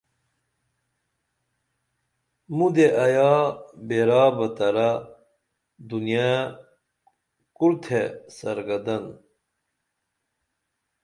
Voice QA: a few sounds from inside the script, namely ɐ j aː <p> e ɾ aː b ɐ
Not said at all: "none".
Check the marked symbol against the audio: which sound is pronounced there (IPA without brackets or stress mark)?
b